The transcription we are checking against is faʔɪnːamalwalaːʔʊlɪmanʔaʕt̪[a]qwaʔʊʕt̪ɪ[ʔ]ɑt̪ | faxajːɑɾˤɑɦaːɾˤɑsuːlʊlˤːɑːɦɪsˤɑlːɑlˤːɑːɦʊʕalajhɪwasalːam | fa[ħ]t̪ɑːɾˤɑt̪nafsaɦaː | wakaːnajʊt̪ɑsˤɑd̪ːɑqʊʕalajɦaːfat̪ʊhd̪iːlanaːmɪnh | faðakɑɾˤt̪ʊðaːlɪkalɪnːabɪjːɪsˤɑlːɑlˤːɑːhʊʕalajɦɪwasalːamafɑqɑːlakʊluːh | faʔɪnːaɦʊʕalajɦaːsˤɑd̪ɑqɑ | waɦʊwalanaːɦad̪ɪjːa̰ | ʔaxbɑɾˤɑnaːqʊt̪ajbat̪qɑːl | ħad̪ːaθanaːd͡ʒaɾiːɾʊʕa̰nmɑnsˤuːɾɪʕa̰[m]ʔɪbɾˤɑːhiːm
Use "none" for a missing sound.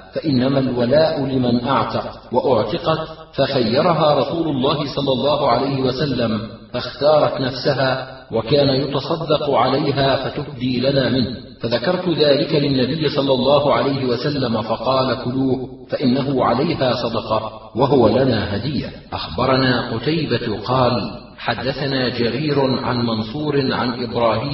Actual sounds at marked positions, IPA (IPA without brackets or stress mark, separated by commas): ɑ, q, x, n